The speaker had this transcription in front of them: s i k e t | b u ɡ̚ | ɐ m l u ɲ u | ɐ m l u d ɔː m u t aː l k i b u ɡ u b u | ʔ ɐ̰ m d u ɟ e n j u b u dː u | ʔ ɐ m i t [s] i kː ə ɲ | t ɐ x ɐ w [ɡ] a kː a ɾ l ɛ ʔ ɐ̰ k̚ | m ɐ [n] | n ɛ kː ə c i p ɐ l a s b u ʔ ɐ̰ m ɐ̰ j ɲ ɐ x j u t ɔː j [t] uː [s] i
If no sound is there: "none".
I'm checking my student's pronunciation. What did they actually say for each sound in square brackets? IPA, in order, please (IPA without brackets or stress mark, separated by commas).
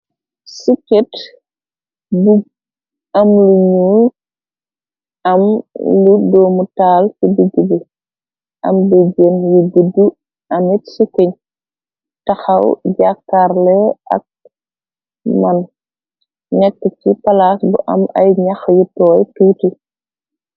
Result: s, ɟ, n, t, t